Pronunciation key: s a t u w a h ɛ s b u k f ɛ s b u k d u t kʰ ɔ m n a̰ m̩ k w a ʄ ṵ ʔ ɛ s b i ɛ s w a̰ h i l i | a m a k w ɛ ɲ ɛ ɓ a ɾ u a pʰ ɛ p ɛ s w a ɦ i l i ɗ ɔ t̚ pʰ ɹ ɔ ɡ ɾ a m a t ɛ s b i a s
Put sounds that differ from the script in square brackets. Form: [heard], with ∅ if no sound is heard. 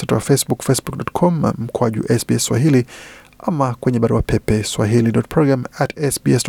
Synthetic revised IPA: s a t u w a [f] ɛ s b u k f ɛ s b u k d [ɔ] t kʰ ɔ m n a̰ m̩ k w a ʄ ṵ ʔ ɛ s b i ɛ s w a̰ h i l i | a m a k w ɛ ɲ ɛ ɓ a ɾ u a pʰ ɛ p ɛ s w a ɦ i l i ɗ ɔ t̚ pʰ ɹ ɔ ɡ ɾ a m a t ɛ s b i [ɛ] s